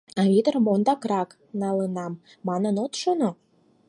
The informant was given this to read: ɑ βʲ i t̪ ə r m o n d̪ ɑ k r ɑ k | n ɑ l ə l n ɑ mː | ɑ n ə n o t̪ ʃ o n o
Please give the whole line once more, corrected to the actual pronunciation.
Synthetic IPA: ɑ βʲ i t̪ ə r m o n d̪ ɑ k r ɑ k | n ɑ l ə n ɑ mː | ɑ n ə n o t̪ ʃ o n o